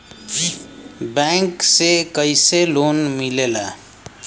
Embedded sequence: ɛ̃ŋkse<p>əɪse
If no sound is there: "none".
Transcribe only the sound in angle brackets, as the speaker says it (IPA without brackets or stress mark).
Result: k